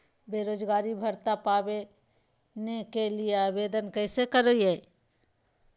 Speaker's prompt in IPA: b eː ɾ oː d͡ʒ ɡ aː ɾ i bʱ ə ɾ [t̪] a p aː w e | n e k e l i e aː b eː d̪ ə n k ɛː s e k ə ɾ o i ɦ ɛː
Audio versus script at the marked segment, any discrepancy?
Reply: no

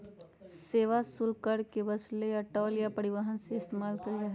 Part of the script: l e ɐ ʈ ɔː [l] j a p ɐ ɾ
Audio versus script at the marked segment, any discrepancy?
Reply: no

